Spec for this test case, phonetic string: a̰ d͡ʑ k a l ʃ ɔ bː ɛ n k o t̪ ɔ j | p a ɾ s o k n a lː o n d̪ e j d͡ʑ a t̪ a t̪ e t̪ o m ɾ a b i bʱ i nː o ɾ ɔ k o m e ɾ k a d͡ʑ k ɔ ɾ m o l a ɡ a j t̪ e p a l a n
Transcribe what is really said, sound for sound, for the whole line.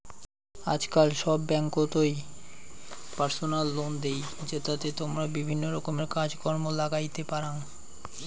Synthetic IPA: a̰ d͡ʑ k a l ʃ ɔ bː ɛ ŋ k o t̪ o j | p a ɾ s o n a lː o n d̪ e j d͡ʑ e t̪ a t̪ e t̪ o m ɾ a b i bʱ i nː o ɾ ɔ k o m e ɾ k a d͡ʑ k ɔ ɾ m o l a ɡ a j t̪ e p a ɾ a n